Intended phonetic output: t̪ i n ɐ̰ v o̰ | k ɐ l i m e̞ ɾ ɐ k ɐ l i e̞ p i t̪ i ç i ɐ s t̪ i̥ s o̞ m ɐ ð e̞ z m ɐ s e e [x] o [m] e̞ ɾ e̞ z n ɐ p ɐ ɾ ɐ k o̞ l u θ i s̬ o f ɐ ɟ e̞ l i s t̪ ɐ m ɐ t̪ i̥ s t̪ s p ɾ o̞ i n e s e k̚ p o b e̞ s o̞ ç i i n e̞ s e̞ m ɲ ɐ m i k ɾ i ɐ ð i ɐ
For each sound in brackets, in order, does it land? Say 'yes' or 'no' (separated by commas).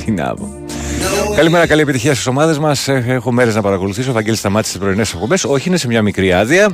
yes, yes